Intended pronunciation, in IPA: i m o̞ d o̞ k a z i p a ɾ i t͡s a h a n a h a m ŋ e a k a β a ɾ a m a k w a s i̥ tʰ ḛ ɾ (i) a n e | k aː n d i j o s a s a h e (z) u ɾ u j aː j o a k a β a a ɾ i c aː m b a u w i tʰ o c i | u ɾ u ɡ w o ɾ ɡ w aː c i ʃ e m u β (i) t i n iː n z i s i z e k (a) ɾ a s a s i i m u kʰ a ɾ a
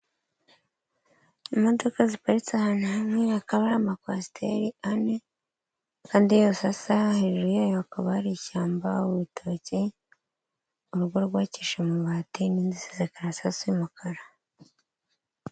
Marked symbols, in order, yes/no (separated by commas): yes, no, no, yes